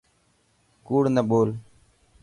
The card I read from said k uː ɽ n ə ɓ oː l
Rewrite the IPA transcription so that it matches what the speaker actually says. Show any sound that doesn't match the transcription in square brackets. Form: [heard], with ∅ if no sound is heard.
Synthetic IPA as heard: k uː ɽ n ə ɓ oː l